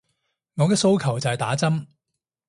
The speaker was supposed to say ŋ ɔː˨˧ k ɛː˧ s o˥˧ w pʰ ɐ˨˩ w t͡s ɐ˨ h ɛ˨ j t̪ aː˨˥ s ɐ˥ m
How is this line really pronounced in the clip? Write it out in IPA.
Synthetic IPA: ŋ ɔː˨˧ k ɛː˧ s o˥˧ w kʰ ɐ˨˩ w t͡s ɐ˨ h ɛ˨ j t̪ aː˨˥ t͡s ɐ˥ m